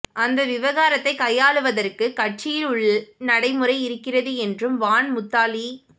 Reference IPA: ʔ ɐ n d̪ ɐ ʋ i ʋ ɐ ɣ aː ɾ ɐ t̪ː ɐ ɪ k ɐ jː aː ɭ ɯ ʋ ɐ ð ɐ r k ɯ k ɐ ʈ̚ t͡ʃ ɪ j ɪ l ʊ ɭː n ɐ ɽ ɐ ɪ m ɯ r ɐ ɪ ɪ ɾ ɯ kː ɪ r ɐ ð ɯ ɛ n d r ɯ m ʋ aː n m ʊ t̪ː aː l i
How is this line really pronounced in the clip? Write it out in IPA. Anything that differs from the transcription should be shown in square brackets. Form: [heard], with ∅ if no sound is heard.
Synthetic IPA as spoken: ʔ ɐ n d̪ ɐ ʋ [ɪ] ʋ ɐ ɣ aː ɾ ɐ t̪ː ɐ ɪ k ɐ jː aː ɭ ɯ ʋ ɐ ð ɐ r k ɯ k ɐ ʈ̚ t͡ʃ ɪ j ɪ l ʊ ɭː n ɐ ɽ ɐ ɪ m ɯ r ɐ ɪ ɪ ɾ ɯ kː ɪ r ɐ ð ɯ ɛ n d r ɯ m ʋ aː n m ʊ t̪ː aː l i